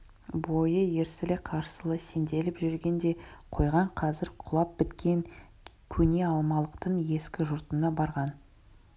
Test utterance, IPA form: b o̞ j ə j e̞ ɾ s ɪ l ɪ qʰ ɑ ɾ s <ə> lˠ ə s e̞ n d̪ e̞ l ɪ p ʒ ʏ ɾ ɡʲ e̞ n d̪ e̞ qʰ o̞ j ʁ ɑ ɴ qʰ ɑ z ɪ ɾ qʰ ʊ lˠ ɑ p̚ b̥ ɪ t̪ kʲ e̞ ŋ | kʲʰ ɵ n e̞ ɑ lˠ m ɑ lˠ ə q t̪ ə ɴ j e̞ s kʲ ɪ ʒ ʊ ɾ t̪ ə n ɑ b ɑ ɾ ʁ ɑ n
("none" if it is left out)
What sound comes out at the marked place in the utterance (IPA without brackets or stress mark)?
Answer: ə